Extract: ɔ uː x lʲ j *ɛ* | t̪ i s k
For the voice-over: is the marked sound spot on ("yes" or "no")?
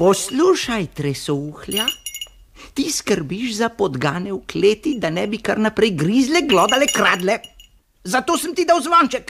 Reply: no